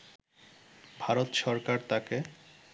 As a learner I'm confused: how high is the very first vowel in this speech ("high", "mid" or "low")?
low